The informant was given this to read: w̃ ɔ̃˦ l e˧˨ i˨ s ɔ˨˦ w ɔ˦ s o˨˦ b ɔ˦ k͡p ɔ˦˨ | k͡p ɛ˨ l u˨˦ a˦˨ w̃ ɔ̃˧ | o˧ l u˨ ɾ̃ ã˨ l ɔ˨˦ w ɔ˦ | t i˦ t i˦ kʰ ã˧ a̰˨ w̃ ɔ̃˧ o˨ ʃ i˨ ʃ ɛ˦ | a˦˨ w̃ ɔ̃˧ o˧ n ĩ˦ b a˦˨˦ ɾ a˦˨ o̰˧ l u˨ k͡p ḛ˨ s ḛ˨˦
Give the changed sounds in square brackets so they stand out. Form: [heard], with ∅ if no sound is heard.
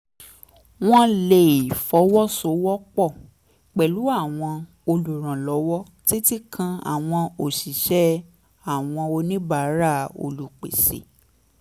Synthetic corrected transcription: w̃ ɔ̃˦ l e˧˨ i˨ [f] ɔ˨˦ w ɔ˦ s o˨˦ [w] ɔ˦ k͡p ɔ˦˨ | k͡p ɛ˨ l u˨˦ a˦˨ w̃ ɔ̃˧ | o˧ l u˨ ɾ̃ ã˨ l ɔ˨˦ w ɔ˦ | t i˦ t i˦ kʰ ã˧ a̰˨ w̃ ɔ̃˧ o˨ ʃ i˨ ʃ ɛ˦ | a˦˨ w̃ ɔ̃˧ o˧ n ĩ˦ b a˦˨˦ ɾ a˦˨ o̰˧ l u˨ k͡p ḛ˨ s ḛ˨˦